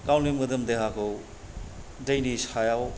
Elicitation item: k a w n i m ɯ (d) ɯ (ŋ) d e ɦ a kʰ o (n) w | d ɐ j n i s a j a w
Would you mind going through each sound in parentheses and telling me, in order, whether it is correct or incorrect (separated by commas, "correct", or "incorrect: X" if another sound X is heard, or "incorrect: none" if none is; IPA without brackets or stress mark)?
correct, incorrect: m, incorrect: none